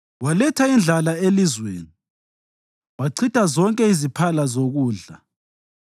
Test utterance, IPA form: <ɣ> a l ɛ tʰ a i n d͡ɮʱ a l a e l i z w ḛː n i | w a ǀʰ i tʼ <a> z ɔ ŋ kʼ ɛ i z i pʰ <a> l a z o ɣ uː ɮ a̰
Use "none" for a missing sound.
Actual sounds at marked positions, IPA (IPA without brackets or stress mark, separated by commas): w, a, a